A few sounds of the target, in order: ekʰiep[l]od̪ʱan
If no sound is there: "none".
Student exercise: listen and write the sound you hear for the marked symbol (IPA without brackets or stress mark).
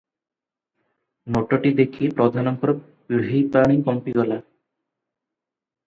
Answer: ɾ